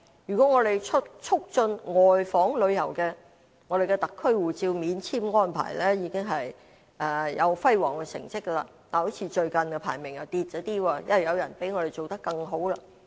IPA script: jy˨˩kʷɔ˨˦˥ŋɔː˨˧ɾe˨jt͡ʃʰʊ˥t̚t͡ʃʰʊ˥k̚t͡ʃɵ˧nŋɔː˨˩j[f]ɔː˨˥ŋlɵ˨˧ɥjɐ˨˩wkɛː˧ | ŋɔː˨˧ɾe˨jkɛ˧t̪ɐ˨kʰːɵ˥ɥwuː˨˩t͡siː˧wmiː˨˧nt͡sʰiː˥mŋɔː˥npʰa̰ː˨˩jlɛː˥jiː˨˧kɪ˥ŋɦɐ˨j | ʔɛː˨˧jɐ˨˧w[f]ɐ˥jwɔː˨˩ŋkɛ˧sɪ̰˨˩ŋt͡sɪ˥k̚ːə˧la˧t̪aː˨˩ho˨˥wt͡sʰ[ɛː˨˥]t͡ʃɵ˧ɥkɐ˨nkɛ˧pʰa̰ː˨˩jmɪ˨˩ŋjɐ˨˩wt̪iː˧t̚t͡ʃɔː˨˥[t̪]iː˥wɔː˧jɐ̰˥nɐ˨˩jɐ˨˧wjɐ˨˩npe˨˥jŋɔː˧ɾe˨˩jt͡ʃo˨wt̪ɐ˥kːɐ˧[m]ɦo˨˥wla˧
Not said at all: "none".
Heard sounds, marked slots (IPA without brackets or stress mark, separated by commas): f, f, iː˨˥, t̪, ŋ